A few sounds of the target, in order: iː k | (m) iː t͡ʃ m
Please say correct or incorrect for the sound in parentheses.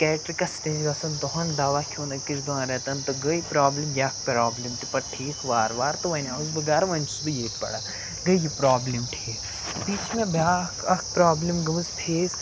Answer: incorrect